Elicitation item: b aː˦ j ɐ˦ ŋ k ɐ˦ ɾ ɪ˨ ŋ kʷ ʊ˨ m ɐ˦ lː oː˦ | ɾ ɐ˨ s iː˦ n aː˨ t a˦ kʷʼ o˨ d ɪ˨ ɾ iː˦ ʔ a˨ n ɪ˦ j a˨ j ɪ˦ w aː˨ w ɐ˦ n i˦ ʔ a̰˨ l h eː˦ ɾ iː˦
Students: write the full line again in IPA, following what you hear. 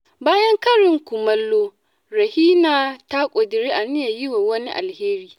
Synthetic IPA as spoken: b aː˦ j ɐ˦ ŋ k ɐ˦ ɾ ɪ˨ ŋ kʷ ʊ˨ m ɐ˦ lː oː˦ | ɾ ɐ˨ h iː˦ n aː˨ t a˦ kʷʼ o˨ d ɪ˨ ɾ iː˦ ʔ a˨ n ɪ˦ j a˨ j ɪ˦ w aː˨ w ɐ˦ n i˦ ʔ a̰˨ l h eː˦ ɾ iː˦